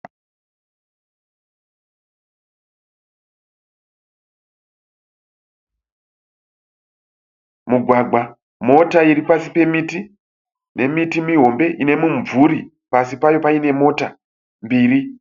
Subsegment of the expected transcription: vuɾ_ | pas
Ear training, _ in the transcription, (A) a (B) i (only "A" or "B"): B